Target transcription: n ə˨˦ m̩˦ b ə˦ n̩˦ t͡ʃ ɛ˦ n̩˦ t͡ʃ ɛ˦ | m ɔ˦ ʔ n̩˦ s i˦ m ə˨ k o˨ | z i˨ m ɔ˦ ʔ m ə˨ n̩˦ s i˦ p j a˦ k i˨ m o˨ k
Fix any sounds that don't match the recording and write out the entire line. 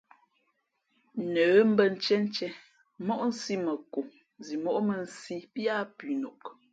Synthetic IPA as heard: n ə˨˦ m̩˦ b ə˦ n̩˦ t͡ʃ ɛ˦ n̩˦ t͡ʃ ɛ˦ | m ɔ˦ ʔ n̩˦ s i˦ m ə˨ k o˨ | z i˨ m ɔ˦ ʔ m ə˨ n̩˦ s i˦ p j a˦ p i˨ n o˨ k